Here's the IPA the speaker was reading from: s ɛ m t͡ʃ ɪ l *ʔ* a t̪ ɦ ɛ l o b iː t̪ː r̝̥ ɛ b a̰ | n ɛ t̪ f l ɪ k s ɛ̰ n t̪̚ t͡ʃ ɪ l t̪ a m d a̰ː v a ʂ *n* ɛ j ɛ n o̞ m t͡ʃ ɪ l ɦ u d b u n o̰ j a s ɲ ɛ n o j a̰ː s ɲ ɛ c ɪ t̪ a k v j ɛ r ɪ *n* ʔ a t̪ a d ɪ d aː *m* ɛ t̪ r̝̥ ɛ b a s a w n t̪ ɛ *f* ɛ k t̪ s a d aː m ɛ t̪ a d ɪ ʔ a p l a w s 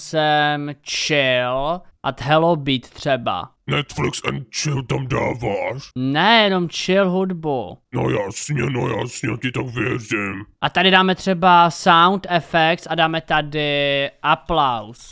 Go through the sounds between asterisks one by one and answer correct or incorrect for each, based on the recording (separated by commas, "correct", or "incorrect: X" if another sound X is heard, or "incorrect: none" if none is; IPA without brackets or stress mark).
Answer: correct, correct, incorrect: m, correct, correct